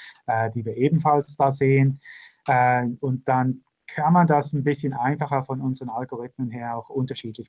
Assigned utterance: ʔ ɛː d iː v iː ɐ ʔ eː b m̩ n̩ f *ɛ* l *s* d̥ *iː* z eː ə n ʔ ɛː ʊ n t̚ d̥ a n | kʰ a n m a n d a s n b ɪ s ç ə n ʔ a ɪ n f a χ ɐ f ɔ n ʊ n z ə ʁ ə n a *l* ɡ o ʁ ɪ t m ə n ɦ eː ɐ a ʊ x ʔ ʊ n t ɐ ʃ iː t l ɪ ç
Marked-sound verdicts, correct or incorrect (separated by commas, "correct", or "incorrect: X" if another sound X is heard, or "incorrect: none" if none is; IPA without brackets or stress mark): incorrect: a, correct, incorrect: aː, correct